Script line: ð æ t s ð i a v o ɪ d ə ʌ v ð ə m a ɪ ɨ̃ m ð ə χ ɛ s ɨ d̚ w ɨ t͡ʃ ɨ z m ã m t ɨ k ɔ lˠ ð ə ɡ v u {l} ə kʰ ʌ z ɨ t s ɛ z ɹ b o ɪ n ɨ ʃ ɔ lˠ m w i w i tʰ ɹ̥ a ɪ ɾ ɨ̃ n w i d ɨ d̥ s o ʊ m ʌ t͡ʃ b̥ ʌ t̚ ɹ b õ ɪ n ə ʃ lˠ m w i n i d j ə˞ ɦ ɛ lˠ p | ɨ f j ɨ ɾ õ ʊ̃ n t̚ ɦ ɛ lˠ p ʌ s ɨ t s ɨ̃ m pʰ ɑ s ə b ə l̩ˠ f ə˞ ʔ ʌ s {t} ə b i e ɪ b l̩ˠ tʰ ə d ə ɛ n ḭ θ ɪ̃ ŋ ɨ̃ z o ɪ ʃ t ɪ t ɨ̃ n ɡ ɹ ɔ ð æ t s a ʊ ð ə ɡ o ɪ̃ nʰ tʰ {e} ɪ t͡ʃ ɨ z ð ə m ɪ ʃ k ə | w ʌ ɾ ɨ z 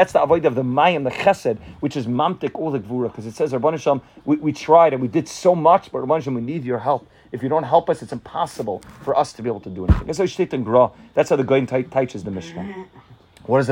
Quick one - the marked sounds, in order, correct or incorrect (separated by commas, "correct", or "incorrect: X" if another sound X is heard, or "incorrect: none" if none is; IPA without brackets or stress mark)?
incorrect: ɹ, incorrect: tʰ, incorrect: a